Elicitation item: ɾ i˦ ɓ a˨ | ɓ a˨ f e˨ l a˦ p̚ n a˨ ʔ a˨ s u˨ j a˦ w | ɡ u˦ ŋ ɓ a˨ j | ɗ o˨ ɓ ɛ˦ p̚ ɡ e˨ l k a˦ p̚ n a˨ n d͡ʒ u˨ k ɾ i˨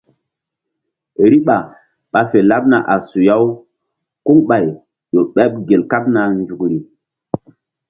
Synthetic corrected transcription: ɾ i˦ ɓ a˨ | ɓ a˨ f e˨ l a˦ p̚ n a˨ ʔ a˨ s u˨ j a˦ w | k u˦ ŋ ɓ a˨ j | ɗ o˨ ɓ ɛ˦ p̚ ɡ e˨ l k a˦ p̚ n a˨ n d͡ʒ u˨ k ɾ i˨